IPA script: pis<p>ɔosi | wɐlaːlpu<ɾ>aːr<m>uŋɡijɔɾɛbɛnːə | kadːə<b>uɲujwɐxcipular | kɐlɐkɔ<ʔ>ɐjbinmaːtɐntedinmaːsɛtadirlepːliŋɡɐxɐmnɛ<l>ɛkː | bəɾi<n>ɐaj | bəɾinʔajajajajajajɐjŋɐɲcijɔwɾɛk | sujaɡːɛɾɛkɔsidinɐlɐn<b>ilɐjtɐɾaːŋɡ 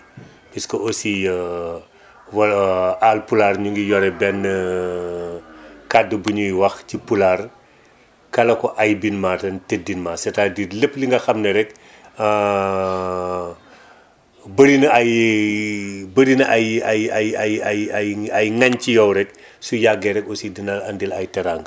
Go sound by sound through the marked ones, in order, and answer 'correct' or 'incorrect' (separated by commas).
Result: incorrect, incorrect, incorrect, correct, correct, incorrect, correct, incorrect